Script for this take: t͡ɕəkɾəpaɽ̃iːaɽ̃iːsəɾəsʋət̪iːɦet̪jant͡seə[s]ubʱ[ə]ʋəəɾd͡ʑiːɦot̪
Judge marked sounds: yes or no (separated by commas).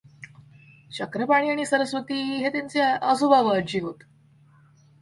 yes, no